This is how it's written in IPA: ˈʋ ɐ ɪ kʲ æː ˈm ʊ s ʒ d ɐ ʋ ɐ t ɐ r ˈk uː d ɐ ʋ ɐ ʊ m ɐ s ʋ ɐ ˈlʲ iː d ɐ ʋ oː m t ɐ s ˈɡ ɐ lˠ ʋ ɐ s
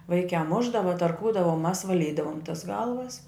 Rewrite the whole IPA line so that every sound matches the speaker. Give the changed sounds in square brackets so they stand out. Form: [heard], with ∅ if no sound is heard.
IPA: ˈʋ ɐ ɪ kʲ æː ˈm ʊ [∅] ʒ d ɐ ʋ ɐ t ɐ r ˈk uː d ɐ ʋ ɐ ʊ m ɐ s ʋ ɐ ˈlʲ iː d ɐ ʋ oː m t ɐ s ˈɡ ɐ lˠ ʋ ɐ s